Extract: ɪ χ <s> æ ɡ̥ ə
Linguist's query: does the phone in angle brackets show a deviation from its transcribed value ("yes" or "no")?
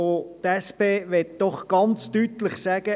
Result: no